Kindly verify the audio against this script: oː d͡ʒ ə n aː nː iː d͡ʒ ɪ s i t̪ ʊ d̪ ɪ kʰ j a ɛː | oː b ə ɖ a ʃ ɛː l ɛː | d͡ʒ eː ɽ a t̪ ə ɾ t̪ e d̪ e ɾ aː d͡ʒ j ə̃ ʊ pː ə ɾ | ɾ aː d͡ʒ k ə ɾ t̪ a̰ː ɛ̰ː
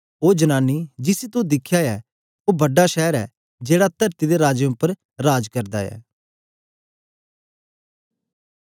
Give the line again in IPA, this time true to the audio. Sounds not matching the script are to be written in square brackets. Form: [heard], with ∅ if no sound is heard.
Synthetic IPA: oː d͡ʒ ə n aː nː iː d͡ʒ ɪ s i t̪ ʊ d̪ ɪ kʰ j a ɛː | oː b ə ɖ a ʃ ɛː [ɾ] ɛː | d͡ʒ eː ɽ a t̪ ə ɾ t̪ [i] d̪ e ɾ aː d͡ʒ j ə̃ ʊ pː ə ɾ | ɾ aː d͡ʒ k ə ɾ [d̪] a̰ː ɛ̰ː